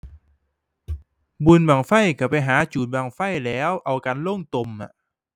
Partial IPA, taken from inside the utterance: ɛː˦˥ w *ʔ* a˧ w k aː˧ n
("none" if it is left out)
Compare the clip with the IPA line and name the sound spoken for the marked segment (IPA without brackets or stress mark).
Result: ʔ